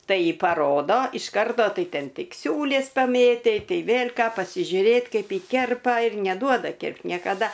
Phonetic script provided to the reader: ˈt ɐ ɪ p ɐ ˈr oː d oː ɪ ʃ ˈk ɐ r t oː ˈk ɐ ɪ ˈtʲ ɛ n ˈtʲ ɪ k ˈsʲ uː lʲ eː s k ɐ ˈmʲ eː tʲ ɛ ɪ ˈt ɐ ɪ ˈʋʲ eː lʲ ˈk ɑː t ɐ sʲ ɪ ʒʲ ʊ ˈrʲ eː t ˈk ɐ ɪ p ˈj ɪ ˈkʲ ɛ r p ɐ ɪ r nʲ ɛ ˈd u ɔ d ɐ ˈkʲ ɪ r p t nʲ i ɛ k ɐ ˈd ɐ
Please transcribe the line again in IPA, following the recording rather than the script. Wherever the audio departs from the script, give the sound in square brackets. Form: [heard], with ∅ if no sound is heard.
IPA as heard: ˈt ɐ ɪ p ɐ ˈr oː d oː ɪ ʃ ˈk ɐ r t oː [ˈt] ɐ ɪ ˈtʲ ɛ n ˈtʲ ɪ k ˈsʲ uː lʲ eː s [p] ɐ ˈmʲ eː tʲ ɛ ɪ ˈt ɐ ɪ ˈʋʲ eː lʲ ˈk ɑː [p] ɐ sʲ ɪ ʒʲ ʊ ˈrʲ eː t ˈk ɐ ɪ p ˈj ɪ ˈkʲ ɛ r p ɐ ɪ r nʲ ɛ ˈd u ɔ d ɐ ˈkʲ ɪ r p t nʲ i ɛ k ɐ ˈd ɐ